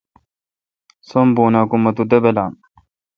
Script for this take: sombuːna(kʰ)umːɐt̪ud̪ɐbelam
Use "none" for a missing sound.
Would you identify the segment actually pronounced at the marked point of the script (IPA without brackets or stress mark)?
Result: k